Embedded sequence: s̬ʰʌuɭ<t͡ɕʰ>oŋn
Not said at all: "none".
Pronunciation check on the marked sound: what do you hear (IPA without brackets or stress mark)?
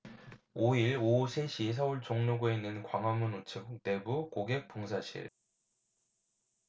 t͡ɕ